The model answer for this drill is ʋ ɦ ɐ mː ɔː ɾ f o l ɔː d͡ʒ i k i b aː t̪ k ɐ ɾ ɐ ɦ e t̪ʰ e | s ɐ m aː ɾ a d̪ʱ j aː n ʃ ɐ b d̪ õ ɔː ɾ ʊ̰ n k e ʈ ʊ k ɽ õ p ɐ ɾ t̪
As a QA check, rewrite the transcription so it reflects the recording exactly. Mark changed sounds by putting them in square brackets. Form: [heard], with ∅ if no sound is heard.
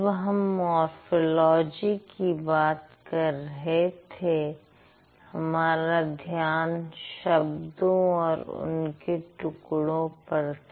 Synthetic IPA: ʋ ɦ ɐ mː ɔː ɾ f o l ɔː d͡ʒ i k i b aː t̪ k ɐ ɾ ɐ ɦ e t̪ʰ e | [h] ɐ m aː ɾ a d̪ʱ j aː n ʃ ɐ b d̪ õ ɔː ɾ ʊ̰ n k e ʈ ʊ k ɽ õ p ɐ ɾ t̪